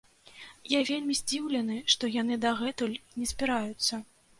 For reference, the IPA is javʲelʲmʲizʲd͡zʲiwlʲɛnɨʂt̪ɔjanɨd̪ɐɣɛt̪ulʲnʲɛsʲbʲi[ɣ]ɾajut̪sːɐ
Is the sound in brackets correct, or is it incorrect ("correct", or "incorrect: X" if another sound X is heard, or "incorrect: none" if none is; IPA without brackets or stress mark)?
incorrect: none